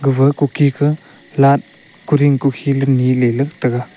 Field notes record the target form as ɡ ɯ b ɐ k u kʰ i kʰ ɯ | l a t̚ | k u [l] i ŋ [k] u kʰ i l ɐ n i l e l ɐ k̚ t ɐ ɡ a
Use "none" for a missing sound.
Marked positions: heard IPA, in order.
ɾ, k

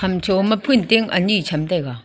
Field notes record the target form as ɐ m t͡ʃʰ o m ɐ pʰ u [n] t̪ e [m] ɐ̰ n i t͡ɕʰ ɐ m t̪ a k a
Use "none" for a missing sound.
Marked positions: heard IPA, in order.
n, ŋ

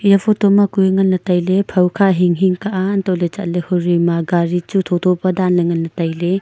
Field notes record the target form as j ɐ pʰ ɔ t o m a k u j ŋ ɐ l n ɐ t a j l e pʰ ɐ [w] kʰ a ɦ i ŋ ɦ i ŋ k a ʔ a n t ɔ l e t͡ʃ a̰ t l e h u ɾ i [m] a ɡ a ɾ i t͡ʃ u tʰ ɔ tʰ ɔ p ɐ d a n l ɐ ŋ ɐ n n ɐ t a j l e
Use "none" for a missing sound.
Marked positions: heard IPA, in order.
w, m

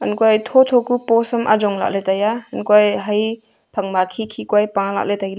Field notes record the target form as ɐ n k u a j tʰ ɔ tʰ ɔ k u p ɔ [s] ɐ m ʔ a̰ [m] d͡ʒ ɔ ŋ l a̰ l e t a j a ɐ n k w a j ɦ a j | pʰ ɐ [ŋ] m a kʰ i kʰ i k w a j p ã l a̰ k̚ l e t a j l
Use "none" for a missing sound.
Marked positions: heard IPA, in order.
s, none, ŋ

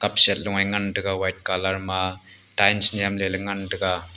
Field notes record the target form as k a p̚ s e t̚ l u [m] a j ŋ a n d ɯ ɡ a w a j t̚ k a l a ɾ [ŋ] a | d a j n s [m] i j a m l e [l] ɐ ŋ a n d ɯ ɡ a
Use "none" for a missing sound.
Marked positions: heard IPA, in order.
ŋ, m, n, l

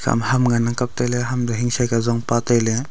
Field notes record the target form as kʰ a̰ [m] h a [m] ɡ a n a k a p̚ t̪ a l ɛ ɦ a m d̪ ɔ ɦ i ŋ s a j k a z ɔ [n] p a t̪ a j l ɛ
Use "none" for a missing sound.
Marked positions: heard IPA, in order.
m, m, ŋ

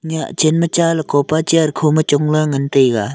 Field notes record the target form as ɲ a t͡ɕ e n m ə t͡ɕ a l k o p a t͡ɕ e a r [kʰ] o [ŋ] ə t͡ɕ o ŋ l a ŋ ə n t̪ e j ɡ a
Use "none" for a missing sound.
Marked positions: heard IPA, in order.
kʰ, m

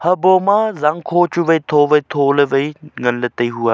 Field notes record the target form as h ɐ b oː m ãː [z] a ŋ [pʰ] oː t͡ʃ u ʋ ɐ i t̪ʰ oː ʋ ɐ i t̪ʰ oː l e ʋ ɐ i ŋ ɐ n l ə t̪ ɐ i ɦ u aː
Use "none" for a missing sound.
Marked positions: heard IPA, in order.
z, kʰ

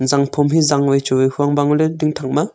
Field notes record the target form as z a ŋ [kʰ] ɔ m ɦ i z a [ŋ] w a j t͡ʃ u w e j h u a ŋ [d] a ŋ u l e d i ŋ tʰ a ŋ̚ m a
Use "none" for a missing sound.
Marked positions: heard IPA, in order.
pʰ, ŋ, b

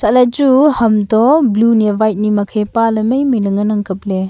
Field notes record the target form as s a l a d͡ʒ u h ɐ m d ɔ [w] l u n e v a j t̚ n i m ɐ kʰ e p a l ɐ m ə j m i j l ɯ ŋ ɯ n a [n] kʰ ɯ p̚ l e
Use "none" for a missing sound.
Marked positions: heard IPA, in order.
b, ŋ

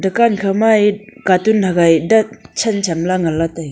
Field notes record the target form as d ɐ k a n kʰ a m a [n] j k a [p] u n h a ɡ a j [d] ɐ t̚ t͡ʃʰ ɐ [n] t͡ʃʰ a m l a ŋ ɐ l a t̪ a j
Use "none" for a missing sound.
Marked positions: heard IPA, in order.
none, t, d, n

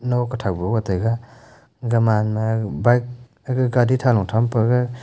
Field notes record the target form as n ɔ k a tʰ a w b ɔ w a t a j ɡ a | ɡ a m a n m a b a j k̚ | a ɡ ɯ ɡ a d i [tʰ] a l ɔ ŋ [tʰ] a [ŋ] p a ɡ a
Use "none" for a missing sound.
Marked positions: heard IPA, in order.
tʰ, tʰ, m

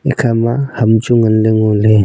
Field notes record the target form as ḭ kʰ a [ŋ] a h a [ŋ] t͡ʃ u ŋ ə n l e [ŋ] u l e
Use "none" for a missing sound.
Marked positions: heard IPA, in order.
m, m, ŋ

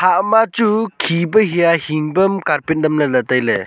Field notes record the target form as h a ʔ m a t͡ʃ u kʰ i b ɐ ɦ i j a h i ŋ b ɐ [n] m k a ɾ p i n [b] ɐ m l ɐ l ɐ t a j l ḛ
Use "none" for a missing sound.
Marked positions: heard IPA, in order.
none, d

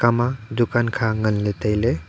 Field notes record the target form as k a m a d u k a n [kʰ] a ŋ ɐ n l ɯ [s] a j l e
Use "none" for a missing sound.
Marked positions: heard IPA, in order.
kʰ, t

